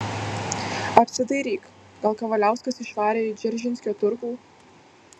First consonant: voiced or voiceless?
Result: voiceless